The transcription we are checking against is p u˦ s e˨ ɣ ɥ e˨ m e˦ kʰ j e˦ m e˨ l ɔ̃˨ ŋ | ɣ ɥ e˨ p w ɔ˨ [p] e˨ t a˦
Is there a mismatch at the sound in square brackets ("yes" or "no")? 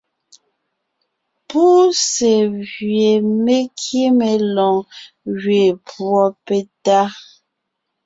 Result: no